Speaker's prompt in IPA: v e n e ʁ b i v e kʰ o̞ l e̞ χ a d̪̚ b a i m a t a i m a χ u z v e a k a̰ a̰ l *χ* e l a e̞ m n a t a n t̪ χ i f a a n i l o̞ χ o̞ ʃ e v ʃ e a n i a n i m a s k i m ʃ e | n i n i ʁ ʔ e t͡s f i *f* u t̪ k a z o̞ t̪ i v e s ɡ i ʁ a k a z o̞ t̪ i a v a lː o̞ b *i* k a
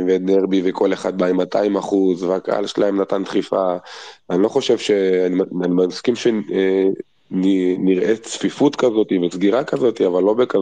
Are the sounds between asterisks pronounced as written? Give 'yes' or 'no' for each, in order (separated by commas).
no, yes, no